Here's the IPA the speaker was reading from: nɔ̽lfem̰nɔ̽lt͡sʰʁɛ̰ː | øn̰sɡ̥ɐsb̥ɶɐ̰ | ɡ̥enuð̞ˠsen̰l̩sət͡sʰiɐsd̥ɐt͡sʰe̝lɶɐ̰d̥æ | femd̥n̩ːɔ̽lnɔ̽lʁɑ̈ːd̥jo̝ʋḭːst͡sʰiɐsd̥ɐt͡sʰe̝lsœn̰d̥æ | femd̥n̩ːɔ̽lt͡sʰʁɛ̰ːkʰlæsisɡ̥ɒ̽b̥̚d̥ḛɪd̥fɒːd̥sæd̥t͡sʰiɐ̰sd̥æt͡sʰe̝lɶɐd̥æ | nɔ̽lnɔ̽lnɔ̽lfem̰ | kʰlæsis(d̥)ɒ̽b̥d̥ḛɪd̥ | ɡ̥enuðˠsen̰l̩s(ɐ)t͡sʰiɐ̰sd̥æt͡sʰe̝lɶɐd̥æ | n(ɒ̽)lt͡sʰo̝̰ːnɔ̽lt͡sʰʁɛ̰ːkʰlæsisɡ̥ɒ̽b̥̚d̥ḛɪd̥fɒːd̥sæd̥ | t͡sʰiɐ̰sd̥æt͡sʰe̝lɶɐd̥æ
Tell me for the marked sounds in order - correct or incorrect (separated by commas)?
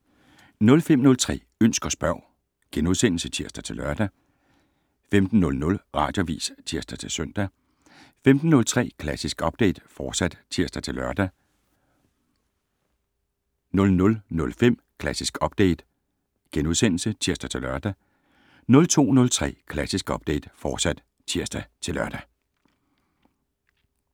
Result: incorrect, incorrect, incorrect